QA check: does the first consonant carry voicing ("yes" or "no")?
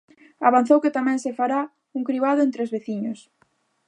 yes